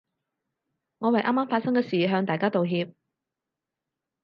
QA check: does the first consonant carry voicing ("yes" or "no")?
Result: yes